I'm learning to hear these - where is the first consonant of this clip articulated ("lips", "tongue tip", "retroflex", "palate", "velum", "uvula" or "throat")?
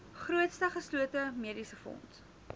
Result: uvula